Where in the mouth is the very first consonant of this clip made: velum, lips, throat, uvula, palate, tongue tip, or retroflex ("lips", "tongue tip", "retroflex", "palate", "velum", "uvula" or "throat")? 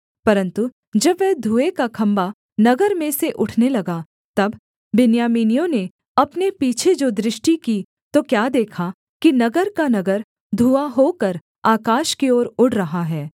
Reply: lips